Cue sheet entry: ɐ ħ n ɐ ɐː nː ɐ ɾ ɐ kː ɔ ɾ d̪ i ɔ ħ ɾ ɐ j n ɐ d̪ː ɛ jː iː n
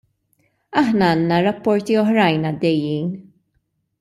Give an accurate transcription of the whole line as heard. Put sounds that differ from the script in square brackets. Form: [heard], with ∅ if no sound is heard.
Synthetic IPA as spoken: ɐ ħ n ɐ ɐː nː ɐ ɾ ɐ [pː] ɔ ɾ [t̪] i ɔ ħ ɾ ɐ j n ɐ d̪ː ɛ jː iː n